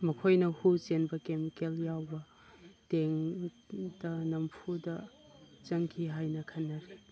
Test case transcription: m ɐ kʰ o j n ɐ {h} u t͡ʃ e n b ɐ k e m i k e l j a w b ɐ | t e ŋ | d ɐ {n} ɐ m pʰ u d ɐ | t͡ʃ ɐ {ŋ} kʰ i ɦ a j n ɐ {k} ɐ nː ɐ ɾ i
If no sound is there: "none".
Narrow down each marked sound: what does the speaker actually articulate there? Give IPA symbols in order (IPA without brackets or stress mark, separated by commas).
h, n, ŋ, kʰ